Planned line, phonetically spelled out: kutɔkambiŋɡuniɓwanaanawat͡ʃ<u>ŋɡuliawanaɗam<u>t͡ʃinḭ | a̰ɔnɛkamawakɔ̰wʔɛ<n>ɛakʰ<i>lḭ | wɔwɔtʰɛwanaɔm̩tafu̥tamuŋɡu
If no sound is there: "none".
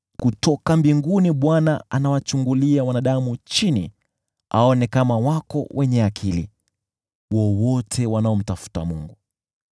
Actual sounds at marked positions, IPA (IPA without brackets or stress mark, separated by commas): u, u, ɲ, i